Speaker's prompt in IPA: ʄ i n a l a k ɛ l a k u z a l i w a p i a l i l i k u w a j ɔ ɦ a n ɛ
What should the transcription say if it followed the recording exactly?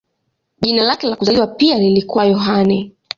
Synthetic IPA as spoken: ʄ i n a l a k ɛ l a k u z a l i w a p i a l i l i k u w a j ɔ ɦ a n ɛ